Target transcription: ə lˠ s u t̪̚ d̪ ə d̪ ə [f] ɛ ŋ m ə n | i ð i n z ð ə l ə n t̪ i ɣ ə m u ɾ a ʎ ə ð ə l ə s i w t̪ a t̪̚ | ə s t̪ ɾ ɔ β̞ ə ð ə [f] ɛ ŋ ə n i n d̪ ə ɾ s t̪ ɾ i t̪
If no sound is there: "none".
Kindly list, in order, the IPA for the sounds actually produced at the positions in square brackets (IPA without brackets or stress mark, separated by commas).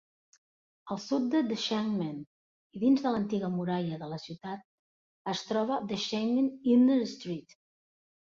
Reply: ʃ, ʃ